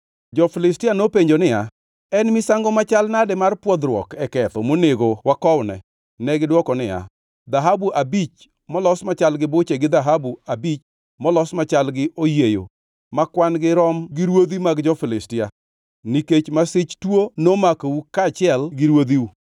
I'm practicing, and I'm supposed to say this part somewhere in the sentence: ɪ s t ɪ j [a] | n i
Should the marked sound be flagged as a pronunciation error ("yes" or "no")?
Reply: no